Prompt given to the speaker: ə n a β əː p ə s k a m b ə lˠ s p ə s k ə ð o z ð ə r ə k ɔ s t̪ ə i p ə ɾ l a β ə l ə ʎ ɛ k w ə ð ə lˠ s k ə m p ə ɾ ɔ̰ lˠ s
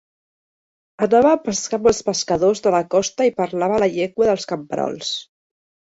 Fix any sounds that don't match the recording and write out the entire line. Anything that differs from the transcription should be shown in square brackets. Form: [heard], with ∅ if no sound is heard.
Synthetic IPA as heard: ə n a β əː p ə s k a m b ə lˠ s p ə s k ə ð o z ð ə [l] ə k ɔ s t̪ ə i p ə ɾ l a β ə l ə ʎ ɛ k w ə ð ə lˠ s k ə m p ə ɾ ɔ̰ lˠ s